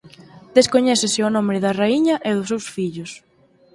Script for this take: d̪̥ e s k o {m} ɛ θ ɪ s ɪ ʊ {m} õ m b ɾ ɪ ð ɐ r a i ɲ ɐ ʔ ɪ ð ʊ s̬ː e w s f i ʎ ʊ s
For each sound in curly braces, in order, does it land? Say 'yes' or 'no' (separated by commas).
no, no